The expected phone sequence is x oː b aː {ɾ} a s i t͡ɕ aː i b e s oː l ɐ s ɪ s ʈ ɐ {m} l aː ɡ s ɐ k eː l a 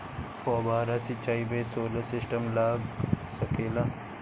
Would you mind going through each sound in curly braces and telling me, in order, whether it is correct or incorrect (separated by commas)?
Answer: correct, correct